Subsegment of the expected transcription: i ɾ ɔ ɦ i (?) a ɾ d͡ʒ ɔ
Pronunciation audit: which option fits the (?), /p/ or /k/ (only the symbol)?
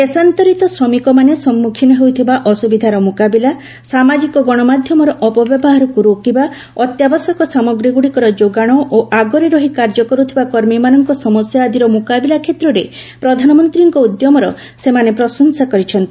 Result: k